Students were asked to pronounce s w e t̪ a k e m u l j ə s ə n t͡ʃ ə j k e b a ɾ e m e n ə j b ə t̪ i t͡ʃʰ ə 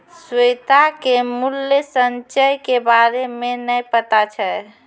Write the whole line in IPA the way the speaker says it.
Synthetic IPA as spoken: s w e t̪ a k e m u l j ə s ə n t͡ʃ ə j k e b a ɾ e m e n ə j p ə t̪ a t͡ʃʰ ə